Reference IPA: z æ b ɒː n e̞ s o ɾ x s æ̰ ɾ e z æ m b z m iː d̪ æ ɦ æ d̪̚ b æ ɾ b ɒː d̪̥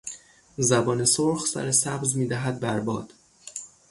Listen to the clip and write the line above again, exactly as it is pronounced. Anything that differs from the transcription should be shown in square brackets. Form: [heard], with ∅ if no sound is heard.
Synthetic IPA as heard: z æ b ɒː n e̞ s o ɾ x s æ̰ ɾ e [s] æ [∅] b z m iː d̪ æ ɦ æ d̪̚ b æ ɾ b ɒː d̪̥